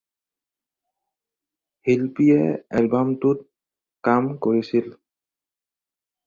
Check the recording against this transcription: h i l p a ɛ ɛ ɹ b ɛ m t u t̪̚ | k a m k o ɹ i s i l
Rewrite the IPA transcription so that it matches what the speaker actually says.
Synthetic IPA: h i l p i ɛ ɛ l b a m t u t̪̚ | k a m k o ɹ i s i l